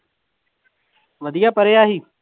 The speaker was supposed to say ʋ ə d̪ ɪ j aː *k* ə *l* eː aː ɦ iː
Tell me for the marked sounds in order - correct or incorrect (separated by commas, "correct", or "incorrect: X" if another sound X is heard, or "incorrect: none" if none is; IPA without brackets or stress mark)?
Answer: incorrect: p, incorrect: ɾ